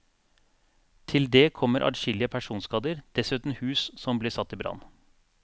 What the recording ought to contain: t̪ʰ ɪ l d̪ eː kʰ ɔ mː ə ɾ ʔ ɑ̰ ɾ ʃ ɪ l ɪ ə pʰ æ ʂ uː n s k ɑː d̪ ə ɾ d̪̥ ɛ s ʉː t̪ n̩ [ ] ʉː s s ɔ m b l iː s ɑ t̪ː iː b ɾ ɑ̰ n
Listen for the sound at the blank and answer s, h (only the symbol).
h